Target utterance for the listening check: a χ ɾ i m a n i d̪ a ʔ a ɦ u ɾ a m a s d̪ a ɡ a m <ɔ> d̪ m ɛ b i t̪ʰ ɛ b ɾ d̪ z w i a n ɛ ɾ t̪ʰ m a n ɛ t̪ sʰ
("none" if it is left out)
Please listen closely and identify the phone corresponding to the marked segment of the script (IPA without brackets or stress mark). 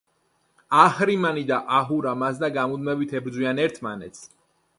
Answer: u